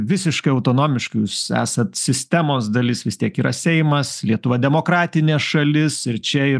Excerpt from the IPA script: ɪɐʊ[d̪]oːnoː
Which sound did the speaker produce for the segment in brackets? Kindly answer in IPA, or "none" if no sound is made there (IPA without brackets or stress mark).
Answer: t̪